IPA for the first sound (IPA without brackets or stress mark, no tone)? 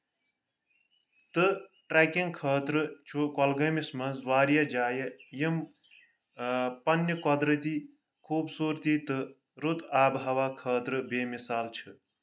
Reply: t̪